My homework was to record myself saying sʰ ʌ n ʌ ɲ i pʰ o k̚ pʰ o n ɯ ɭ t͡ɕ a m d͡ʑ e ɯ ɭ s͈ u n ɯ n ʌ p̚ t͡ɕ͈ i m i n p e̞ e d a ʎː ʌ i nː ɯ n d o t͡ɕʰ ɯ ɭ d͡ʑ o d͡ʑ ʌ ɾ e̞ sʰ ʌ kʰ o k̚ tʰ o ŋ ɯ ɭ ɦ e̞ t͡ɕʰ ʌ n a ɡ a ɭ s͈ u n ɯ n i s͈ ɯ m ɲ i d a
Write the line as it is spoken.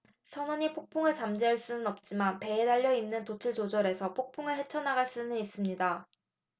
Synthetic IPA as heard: sʰ ʌ n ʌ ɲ i pʰ o k̚ pʰ o ŋ ɯ ɭ t͡ɕ a m d͡ʑ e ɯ ɭ s͈ u n ɯ n ʌ p̚ t͡ɕ͈ i m a n p e̞ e d a ʎː ʌ i nː ɯ n t o t͡ɕʰ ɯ ɭ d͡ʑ o d͡ʑ ʌ ɾ e̞ sʰ ʌ pʰ o k̚ pʰ o ŋ ɯ ɭ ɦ e̞ t͡ɕʰ ʌ n a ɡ a ɭ s͈ u n ɯ n i s͈ ɯ m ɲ i d a